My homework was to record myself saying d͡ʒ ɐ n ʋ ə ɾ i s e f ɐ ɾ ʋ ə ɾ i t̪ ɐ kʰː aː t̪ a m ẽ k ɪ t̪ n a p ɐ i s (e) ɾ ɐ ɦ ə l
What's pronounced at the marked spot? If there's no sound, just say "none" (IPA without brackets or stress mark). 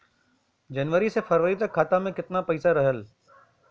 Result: a